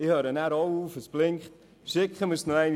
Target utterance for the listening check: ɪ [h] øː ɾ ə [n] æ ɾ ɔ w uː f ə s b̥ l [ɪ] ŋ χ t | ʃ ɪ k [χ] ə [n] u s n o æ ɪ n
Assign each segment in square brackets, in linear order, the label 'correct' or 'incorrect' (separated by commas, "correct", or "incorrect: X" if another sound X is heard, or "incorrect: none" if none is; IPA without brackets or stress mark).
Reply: correct, correct, correct, correct, incorrect: m